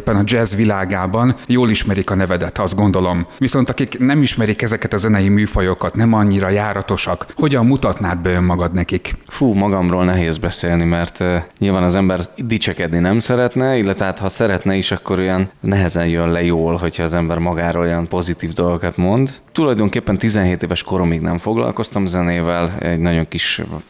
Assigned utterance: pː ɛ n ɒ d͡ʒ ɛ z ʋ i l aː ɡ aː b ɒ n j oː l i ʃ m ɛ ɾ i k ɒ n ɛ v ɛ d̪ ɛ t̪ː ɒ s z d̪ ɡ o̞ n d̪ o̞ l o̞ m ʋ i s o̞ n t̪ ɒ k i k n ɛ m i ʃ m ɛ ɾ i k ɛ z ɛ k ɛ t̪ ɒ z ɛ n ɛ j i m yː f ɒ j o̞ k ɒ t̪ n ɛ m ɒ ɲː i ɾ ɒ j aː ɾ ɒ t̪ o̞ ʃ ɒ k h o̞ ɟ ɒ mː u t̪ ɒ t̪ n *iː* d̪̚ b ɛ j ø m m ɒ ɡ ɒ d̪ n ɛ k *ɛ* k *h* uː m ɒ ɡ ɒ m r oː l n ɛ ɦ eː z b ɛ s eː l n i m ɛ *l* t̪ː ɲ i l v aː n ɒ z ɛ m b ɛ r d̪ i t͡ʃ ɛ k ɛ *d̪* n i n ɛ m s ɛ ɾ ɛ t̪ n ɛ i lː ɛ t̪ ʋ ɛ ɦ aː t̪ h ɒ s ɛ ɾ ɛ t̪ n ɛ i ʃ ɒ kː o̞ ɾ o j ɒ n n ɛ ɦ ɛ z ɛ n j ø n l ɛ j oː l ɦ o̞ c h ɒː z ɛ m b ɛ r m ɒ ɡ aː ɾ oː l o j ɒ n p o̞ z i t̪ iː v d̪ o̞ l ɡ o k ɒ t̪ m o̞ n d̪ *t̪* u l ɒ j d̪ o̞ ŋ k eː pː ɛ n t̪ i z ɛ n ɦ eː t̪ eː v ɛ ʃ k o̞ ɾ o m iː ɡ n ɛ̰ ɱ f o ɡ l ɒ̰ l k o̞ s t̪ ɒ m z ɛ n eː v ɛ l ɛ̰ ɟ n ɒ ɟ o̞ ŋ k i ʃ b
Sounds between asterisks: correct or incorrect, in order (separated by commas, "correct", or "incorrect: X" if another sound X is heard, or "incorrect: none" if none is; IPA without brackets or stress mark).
incorrect: aː, incorrect: i, incorrect: f, incorrect: r, correct, correct